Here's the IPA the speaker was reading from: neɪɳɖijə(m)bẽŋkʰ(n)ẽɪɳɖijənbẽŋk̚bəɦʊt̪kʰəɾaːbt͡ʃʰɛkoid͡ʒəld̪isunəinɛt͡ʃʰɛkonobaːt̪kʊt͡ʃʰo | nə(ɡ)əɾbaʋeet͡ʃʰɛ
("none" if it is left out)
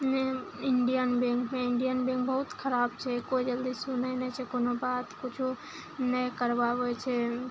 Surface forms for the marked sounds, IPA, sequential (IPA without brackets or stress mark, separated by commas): n, m, k